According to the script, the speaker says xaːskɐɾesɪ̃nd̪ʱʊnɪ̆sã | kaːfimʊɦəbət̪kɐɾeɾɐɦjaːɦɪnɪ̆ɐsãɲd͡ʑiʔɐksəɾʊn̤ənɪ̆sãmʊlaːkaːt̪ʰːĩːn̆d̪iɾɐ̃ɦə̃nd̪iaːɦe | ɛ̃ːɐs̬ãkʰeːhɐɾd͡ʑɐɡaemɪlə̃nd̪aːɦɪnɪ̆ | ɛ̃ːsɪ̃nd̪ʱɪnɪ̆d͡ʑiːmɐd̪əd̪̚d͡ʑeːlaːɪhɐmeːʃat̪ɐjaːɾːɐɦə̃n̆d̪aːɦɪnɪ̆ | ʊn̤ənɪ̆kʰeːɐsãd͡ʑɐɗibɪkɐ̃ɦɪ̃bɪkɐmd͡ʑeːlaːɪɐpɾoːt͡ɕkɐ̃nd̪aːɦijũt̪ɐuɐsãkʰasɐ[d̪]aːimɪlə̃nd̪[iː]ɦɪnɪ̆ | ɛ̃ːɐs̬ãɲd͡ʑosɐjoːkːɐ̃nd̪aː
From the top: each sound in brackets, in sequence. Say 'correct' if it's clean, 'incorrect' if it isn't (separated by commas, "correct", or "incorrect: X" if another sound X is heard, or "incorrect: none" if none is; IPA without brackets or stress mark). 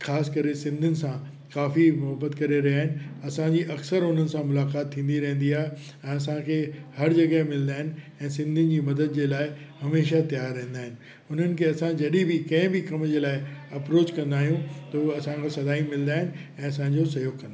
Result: correct, incorrect: aː